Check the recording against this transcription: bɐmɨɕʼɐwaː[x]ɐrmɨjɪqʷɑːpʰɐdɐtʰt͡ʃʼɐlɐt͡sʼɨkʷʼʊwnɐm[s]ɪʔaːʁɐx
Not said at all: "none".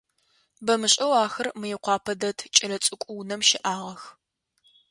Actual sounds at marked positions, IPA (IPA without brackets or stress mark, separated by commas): x, ʃ